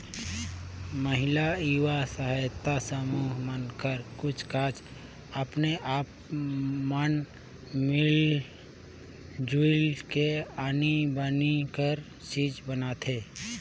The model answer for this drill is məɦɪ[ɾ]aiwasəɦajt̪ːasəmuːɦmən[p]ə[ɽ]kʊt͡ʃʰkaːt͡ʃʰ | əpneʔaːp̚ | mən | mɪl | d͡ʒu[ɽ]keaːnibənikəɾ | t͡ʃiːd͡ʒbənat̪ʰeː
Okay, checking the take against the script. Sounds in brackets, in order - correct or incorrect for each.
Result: incorrect: l, incorrect: k, incorrect: ɾ, incorrect: l

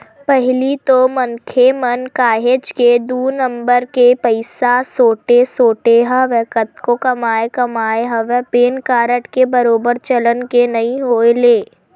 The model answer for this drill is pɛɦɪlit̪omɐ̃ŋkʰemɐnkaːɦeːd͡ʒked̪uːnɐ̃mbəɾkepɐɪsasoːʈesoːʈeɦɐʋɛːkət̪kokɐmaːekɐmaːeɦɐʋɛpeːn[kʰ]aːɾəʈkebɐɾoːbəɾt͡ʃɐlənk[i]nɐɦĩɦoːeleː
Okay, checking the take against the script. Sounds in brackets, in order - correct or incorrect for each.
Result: incorrect: k, incorrect: e

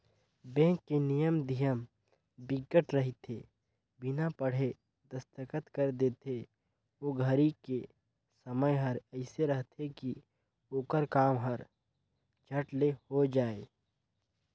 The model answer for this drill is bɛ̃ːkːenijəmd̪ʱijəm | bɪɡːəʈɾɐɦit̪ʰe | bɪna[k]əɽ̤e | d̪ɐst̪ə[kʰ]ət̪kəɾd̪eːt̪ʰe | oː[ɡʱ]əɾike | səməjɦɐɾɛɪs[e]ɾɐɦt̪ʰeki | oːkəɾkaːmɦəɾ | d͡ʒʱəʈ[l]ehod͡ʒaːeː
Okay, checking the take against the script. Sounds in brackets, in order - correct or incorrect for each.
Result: incorrect: p, incorrect: k, correct, correct, correct

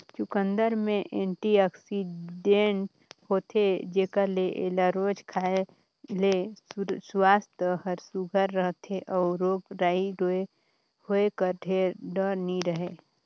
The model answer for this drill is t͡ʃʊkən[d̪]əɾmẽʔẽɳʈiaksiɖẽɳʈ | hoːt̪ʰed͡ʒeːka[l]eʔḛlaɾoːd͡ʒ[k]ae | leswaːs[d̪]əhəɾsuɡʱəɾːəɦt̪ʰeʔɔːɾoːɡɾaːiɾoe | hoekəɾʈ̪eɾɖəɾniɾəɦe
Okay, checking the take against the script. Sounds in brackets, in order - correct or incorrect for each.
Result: correct, correct, incorrect: kʰ, incorrect: t̪

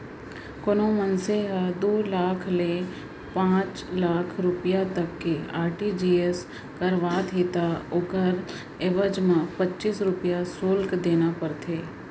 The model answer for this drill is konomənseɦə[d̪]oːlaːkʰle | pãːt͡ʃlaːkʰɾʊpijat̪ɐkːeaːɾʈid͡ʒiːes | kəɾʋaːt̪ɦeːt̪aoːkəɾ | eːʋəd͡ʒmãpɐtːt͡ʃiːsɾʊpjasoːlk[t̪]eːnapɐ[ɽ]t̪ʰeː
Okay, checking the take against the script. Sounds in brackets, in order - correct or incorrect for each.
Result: correct, incorrect: d̪, incorrect: ɾ

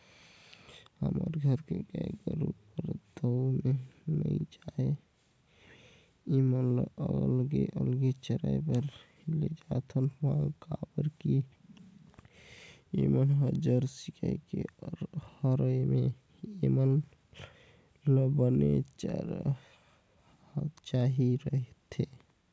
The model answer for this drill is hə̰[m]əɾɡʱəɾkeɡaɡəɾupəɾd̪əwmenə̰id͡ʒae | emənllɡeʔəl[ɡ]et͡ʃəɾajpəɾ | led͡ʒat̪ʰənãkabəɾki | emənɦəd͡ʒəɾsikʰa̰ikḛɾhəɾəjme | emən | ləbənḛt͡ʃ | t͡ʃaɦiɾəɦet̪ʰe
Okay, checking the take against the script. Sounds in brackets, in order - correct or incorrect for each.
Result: correct, correct

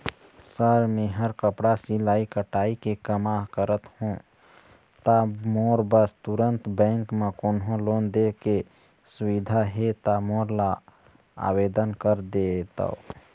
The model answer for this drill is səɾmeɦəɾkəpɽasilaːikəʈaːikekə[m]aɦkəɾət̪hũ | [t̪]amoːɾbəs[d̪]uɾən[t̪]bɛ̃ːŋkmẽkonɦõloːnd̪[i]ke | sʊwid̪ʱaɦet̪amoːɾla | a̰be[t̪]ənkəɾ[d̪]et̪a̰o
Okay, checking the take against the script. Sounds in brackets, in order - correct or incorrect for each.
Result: correct, correct, incorrect: t̪, correct, incorrect: e, incorrect: d̪, correct

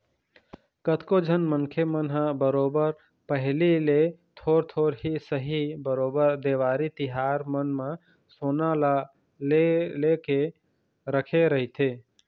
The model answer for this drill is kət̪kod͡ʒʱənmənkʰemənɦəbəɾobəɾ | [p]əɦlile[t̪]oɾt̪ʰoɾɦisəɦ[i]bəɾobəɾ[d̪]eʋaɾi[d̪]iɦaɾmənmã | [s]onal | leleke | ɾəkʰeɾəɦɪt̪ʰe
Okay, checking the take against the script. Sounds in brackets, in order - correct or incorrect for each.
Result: correct, incorrect: t̪ʰ, correct, correct, incorrect: t̪, correct

